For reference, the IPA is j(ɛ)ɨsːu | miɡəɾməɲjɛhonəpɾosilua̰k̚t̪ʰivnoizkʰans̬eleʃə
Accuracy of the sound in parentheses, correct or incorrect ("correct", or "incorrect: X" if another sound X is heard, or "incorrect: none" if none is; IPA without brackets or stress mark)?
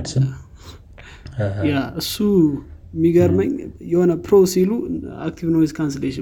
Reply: incorrect: a